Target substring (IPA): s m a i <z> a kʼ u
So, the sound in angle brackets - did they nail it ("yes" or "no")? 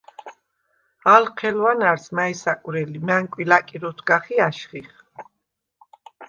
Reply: no